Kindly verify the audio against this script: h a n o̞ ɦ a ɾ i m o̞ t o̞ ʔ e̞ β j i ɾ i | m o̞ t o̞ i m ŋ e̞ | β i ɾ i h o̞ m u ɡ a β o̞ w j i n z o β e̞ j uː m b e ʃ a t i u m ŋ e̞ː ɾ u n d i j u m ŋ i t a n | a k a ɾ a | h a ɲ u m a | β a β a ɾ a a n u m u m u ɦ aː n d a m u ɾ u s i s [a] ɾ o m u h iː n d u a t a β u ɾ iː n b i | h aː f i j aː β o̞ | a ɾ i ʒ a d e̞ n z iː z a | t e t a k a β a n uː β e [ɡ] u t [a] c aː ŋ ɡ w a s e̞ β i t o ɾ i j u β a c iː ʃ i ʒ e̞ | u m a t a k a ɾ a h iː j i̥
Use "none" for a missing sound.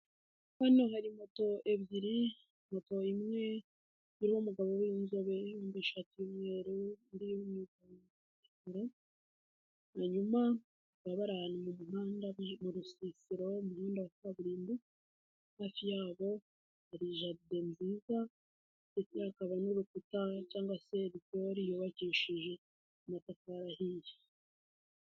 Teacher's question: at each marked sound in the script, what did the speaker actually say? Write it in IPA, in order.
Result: i, k, a

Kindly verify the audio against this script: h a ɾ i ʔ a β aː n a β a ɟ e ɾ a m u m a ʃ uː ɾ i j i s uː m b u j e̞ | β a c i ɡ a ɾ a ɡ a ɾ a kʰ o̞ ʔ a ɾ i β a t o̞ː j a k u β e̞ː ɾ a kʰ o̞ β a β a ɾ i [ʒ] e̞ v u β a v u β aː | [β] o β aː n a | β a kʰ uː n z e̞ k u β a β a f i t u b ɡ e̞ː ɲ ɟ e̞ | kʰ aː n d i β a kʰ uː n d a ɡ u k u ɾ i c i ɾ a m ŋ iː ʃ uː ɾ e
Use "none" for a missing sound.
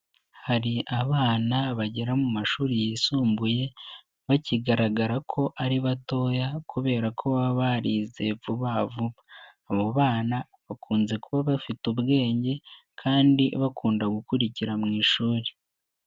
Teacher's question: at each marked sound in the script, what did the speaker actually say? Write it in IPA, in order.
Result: z, β

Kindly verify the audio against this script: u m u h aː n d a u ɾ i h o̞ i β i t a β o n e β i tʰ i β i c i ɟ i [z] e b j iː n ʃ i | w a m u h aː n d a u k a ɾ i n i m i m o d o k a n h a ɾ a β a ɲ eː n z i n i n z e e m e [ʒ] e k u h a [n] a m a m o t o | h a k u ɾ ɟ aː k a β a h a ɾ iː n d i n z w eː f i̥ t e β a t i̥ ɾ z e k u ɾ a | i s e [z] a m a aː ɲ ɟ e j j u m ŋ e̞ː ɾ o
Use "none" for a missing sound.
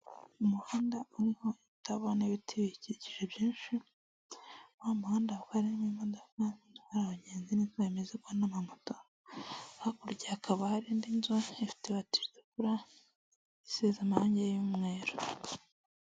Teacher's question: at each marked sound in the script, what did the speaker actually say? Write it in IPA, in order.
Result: ʒ, z, n, z

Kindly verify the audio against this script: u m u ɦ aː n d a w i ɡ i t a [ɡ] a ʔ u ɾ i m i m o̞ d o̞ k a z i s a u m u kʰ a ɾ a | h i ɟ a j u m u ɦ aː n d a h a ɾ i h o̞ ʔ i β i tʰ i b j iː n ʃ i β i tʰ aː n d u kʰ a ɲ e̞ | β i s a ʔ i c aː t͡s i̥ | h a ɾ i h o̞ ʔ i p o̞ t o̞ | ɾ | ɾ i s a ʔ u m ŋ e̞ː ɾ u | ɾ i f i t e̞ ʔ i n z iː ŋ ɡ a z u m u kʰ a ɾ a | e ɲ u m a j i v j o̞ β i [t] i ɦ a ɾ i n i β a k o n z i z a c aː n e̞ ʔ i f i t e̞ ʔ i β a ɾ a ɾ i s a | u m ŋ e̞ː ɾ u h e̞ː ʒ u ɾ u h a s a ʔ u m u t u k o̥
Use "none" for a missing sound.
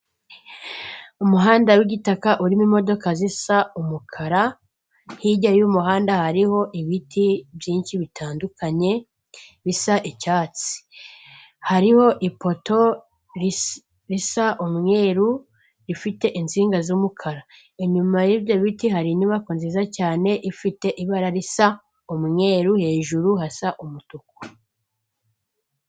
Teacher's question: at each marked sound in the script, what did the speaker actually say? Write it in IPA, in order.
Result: k, t

